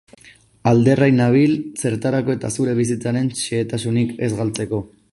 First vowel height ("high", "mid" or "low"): low